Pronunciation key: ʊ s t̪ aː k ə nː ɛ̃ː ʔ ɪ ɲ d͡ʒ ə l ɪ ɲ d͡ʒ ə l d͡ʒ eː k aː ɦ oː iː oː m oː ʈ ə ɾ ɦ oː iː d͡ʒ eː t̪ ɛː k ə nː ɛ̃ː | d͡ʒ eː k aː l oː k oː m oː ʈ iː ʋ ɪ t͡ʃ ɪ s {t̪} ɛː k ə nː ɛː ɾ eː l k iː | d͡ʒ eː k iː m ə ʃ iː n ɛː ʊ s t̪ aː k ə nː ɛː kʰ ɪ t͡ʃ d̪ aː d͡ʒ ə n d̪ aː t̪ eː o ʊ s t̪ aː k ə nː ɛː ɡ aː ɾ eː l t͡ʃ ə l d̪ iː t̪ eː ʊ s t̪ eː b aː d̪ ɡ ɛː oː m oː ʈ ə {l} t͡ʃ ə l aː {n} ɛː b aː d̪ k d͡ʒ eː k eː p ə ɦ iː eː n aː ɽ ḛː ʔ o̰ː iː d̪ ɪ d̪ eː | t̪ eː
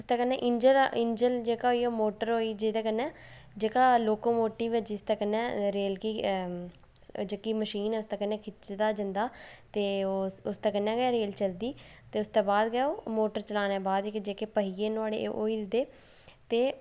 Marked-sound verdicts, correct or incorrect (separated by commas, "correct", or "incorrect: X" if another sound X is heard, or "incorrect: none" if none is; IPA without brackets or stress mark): correct, incorrect: ɾ, correct